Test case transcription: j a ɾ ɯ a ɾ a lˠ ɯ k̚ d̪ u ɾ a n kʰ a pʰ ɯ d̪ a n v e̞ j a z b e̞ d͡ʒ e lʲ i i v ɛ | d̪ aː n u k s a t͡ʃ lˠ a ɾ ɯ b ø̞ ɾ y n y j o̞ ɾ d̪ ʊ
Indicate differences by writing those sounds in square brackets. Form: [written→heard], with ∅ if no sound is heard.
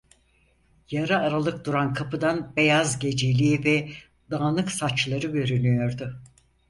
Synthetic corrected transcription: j a ɾ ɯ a ɾ a lˠ ɯ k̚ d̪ u ɾ a n kʰ a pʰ ɯ d̪ a n [v→b] e̞ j a z [b→ɟ] e̞ d͡ʒ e lʲ i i v ɛ | d̪ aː n [u→ɯ] k s a t͡ʃ lˠ a ɾ ɯ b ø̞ ɾ y n y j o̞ ɾ d̪ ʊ